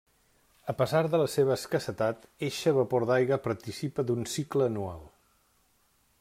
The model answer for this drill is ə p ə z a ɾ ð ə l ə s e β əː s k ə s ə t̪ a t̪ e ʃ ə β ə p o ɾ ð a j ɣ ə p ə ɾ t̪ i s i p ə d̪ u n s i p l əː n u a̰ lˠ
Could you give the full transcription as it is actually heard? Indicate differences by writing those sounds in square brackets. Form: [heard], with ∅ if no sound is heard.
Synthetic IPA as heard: ə p ə z a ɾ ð ə l ə s e β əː s k ə s ə t̪ a t̪ e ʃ ə β ə p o ɾ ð a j ɣ ə p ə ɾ t̪ i s i p ə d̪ u n s i [k] l əː n u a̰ lˠ

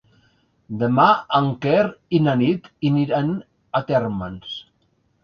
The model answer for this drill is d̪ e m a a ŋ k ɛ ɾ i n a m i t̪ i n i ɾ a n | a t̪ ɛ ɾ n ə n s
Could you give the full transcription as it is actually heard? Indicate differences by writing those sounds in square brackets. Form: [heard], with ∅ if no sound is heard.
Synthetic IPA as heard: d̪ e m a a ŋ k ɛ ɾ i n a [n] i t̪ i n i ɾ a n | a t̪ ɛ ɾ [m] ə n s

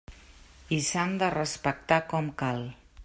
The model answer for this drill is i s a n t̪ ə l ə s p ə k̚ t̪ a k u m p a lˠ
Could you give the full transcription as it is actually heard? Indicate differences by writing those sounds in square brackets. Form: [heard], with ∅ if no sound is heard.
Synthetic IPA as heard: i s a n [d̪] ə [r] ə s p ə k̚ t̪ a k [ɔ] m [k] a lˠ

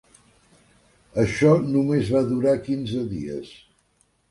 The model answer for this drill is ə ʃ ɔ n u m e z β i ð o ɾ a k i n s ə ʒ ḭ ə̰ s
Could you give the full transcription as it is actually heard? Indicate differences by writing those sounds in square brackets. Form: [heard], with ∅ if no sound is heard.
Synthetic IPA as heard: ə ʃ ɔ n u m e z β [a] ð [u] ɾ a k i n [z] ə [ð] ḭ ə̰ s

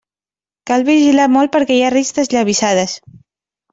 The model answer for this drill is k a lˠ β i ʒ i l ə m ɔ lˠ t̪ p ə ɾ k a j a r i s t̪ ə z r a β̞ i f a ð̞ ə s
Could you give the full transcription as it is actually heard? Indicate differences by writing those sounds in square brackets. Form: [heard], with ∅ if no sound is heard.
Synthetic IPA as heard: k a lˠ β i ʒ i l [a] m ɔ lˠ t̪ p ə ɾ k [ɛ] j a r i s t̪ ə z [ʎ] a β̞ i [s] a ð̞ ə s

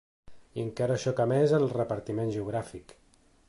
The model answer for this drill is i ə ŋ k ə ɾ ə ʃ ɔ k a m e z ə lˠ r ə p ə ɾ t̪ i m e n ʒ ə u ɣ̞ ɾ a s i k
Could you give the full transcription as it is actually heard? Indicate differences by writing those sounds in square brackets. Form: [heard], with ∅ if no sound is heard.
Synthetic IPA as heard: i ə ŋ k [a] ɾ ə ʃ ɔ k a m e z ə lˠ r ə p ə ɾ t̪ i m e n ʒ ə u ɣ̞ ɾ a [f] i k

